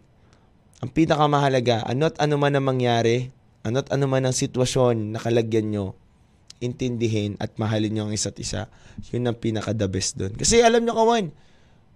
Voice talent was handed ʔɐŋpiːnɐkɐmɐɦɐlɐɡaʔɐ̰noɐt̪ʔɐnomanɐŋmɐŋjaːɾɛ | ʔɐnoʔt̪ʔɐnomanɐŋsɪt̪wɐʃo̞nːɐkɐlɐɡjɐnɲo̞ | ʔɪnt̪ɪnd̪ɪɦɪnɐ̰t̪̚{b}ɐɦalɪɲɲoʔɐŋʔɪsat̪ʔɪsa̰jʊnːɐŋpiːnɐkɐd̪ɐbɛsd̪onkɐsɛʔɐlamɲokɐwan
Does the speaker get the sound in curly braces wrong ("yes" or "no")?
yes